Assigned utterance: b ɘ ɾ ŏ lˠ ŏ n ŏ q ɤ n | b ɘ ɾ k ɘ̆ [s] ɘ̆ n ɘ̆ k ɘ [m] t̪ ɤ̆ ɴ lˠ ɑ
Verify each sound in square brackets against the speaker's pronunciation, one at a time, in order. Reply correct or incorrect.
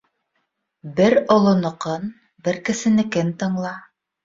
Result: correct, incorrect: n

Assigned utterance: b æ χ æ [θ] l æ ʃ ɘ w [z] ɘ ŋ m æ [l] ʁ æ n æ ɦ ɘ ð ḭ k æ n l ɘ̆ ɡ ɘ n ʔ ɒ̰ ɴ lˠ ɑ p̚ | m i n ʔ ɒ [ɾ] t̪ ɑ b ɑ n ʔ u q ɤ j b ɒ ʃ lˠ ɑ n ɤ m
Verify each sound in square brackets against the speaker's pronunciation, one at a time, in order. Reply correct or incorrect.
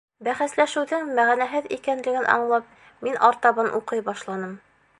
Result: incorrect: s, incorrect: ð, incorrect: none, correct

